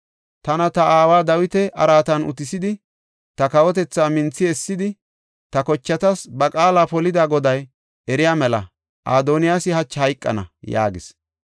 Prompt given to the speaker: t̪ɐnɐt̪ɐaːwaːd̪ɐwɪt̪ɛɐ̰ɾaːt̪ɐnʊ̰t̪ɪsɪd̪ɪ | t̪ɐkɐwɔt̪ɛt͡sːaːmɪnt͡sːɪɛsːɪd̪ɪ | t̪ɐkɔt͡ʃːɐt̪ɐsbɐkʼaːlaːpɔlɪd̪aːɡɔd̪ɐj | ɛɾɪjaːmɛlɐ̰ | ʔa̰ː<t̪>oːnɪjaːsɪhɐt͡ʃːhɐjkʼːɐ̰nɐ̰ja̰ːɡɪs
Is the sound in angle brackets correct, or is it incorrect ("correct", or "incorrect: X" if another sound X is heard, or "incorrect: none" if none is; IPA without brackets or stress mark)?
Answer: incorrect: d̪